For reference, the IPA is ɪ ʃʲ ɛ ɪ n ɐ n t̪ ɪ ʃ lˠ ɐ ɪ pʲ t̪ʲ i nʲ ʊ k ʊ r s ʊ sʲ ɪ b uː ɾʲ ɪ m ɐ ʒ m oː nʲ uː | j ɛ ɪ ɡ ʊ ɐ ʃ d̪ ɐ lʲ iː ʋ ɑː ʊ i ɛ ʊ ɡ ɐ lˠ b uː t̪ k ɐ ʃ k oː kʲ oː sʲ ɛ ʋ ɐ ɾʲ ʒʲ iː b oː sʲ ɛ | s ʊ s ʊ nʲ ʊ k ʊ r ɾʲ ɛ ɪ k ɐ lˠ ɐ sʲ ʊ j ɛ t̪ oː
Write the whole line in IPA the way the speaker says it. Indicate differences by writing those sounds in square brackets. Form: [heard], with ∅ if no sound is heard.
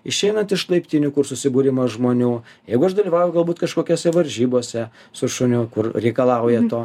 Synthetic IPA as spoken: ɪ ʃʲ ɛ ɪ n ɐ n t̪ ɪ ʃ lˠ ɐ ɪ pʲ t̪ʲ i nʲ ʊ k ʊ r s ʊ sʲ ɪ b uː ɾʲ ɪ m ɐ ʒ m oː nʲ uː | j ɛ ɪ ɡ ʊ ɐ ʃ d̪ ɐ lʲ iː ʋ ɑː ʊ [j] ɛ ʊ ɡ ɐ lˠ b uː t̪ k ɐ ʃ k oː kʲ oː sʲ ɛ ʋ ɐ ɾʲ ʒʲ iː b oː sʲ ɛ | s ʊ [ʃ] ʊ nʲ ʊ k ʊ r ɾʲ ɛ ɪ k ɐ lˠ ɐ [∅] ʊ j ɛ t̪ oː